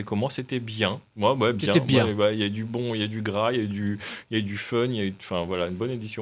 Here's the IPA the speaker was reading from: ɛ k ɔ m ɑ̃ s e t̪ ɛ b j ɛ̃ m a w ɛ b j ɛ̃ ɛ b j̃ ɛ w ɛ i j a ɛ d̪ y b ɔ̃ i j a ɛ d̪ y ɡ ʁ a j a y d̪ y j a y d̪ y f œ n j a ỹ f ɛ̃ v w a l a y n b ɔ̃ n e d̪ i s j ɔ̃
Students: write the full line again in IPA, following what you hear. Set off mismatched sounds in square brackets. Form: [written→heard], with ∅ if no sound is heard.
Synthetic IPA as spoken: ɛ k ɔ m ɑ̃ s e t̪ ɛ b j ɛ̃ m a w ɛ b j ɛ̃ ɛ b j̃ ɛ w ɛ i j a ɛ d̪ y b ɔ̃ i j a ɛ d̪ y ɡ ʁ a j a y d̪ y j a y d̪ y f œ n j a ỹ f ɛ̃ v w a l a y n b [ɔ̃→ɔ] n e d̪ i s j ɔ̃